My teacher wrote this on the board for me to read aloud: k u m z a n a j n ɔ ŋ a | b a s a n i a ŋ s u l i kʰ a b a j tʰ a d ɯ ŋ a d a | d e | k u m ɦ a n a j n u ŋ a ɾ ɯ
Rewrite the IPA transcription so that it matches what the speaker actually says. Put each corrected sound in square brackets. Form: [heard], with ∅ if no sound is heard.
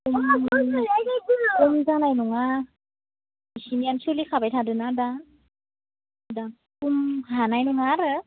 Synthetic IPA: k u m z a n a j n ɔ ŋ a | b [i] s [i] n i a [n] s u l i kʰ a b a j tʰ a d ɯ [n] a d a | d [a] | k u m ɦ a n a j n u ŋ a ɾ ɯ